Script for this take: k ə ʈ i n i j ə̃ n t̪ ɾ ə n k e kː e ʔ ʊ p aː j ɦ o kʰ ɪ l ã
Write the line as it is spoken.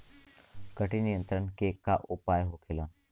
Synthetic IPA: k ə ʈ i n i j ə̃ n t̪ ɾ ə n k e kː a ʔ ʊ p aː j ɦ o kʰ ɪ l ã